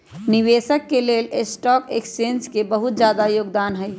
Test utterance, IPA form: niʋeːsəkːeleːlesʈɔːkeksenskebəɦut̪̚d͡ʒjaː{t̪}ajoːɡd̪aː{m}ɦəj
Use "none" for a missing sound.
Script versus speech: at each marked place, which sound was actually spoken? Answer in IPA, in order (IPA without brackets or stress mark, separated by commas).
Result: d̪, n